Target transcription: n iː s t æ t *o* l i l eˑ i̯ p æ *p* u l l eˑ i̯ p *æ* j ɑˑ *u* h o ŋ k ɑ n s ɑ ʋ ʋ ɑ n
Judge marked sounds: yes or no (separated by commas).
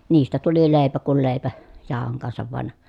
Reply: no, no, yes, no